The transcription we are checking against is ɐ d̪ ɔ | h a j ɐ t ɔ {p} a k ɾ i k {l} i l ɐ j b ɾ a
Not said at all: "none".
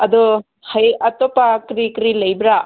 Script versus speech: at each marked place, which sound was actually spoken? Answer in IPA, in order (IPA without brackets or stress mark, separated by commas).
p, ɾ